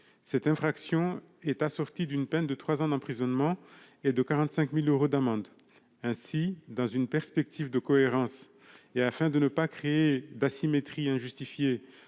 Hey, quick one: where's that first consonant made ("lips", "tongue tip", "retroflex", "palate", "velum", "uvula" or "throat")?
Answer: tongue tip